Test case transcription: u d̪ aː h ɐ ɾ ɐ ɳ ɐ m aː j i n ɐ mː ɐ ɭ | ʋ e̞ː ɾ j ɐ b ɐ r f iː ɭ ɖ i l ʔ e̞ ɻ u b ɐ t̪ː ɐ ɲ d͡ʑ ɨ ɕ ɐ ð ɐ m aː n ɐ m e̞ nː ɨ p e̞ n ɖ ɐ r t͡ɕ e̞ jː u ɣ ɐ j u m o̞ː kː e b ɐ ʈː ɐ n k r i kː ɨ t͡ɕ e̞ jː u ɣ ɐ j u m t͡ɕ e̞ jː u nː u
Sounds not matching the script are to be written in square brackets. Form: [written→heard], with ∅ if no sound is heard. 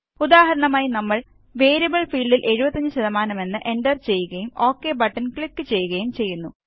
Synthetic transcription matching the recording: u d̪ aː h ɐ ɾ ɐ ɳ ɐ m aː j i n ɐ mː ɐ ɭ | ʋ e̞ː ɾ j ɐ b ɐ [r→ɭ] f iː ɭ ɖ i l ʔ e̞ ɻ u b ɐ t̪ː ɐ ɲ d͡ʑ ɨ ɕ ɐ ð ɐ m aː n ɐ m e̞ nː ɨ [p→ʔ] e̞ n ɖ ɐ r t͡ɕ e̞ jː u ɣ ɐ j u m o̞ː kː e b ɐ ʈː ɐ n k [r→ɭ] i kː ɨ t͡ɕ e̞ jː u ɣ ɐ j u m t͡ɕ e̞ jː u nː u